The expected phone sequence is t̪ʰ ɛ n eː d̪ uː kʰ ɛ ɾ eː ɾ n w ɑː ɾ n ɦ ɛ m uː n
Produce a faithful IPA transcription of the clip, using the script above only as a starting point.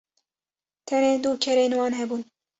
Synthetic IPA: t̪ʰ ɛ n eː d̪ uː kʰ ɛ ɾ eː n w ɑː n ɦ ɛ b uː n

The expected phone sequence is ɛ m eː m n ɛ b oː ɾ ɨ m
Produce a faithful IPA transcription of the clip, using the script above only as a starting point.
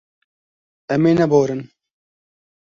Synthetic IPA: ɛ m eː n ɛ b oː ɾ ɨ n

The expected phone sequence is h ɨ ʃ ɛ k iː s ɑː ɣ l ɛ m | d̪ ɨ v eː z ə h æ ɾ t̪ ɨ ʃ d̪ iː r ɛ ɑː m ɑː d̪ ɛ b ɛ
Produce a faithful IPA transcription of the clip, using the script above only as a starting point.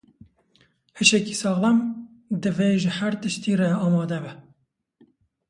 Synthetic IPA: h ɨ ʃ ɛ k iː s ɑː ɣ l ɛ m | d̪ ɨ v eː ʒ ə h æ ɾ t̪ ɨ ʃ t̪ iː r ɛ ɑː m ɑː d̪ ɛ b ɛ

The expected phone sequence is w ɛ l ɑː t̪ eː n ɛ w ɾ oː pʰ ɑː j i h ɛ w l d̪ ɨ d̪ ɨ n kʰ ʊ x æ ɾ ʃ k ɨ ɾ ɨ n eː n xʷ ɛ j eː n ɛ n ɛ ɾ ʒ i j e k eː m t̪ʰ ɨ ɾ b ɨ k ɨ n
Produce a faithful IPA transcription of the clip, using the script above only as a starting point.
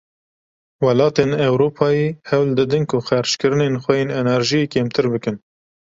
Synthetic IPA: w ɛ l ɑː t̪ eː n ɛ w ɾ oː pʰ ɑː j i h ɛ w l d̪ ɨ d̪ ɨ n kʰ ʊ x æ ɾ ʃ k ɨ ɾ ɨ n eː n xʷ ɛ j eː n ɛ n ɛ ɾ ʒ i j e k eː m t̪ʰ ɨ ɾ b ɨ k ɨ n

